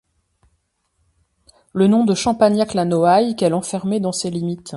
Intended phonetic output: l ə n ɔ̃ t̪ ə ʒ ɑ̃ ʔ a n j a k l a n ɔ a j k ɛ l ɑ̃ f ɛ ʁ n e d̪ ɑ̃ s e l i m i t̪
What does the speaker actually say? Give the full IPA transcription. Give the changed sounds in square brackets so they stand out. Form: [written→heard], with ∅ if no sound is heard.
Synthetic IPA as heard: l ə n ɔ̃ [t̪→d̪] ə [ʒ→ʃ] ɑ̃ [ʔ→p] a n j a k l a n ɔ a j k ɛ l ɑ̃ f ɛ ʁ [n→m] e d̪ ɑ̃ s e l i m i t̪